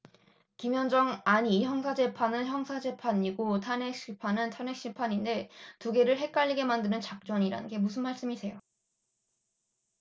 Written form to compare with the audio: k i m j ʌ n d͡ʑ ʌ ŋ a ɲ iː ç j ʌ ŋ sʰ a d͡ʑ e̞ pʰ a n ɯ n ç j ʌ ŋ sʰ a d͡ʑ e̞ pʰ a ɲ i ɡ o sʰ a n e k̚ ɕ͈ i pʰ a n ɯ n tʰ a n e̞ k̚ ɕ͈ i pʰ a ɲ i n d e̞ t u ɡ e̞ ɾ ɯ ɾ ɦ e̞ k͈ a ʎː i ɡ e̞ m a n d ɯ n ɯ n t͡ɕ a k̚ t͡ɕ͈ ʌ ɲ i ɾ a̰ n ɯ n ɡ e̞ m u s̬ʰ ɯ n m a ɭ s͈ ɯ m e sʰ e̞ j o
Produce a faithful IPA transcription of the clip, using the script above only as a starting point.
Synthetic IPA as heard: k i m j ʌ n d͡ʑ ʌ ŋ a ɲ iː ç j ʌ ŋ sʰ a d͡ʑ e̞ pʰ a n ɯ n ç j ʌ ŋ sʰ a d͡ʑ e̞ pʰ a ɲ i ɡ o tʰ a n e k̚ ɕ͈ i pʰ a n ɯ n tʰ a n e̞ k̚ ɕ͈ i pʰ a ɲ i n d e̞ t u ɡ e̞ ɾ ɯ ɭ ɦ e̞ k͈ a ʎː i ɡ e̞ m a n d ɯ n ɯ n t͡ɕ a k̚ t͡ɕ͈ ʌ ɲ i ɾ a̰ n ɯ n ɡ e̞ m u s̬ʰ ɯ n m a ɭ s͈ ɯ m i sʰ e̞ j o

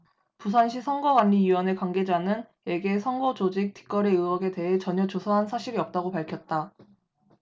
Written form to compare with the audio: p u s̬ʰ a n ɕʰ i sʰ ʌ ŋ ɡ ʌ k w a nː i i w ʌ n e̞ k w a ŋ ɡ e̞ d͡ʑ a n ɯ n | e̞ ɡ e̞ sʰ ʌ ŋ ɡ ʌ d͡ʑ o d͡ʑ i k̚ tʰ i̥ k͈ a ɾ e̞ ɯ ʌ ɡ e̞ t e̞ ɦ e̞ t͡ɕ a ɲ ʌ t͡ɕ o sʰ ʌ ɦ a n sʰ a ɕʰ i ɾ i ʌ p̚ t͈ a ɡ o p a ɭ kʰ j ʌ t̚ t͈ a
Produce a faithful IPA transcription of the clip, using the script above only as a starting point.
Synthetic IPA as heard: p u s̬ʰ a n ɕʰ i sʰ ʌ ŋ ɡ ʌ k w a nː i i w ʌ n e̞ k w a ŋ ɡ e̞ d͡ʑ a n ɯ n | e̞ ɡ e̞ sʰ ʌ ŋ ɡ ʌ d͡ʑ o d͡ʑ i k̚ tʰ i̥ k͈ ʌ ɾ e̞ ɯ ʌ ɡ e̞ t e̞ ɦ e̞ t͡ɕ ʌ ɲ ʌ t͡ɕ o sʰ ʌ ɦ a n sʰ a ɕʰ i ɾ i ʌ p̚ t͈ a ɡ o p a ɭ kʰ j ʌ t̚ t͈ a

